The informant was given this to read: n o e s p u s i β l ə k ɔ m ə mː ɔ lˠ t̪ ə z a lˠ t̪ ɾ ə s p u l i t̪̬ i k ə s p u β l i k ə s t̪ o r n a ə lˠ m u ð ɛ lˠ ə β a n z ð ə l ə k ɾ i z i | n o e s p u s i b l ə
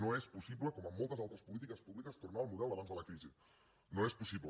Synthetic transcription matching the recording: n o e s p u s i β l ə k ɔ m ə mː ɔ lˠ t̪ ə z a lˠ t̪ ɾ ə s p u l i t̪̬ i k ə s p u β l i k ə s t̪ u r n a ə lˠ m u ð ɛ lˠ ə β a n z ð ə l ə k ɾ i z i | n o e s p u s i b l ə